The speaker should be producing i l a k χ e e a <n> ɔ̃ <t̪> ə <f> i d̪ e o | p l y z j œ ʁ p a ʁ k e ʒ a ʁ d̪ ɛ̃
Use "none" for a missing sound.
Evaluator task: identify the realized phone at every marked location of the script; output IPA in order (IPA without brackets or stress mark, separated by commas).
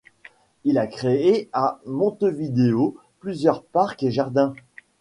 m, t̪, v